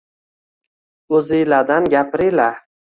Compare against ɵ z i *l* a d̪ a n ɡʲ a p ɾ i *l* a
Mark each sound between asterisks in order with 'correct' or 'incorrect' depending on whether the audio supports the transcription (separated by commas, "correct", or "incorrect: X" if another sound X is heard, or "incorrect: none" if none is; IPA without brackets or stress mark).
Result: correct, correct